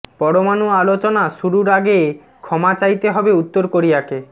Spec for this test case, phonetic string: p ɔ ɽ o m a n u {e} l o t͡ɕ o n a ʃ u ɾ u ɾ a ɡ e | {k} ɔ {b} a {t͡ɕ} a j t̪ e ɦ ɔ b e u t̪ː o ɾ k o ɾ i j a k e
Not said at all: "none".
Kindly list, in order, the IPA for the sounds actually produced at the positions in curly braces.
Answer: a, kʰ, m, t͡ɕ

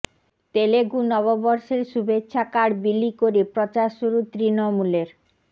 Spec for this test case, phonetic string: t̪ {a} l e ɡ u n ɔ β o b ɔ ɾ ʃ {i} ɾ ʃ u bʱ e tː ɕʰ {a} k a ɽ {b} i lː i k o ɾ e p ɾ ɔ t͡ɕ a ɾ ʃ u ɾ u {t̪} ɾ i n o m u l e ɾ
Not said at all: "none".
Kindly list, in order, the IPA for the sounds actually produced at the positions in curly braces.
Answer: e, e, a, b, t̪

